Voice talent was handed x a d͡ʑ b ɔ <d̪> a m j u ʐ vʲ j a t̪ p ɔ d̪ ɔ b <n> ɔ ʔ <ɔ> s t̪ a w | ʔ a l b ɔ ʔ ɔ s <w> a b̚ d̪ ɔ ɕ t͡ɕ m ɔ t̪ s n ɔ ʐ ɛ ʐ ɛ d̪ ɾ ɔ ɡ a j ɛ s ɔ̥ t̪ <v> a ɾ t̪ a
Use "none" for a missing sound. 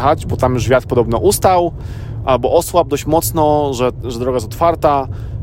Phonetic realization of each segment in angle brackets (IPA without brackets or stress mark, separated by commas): t̪, n, u, w, f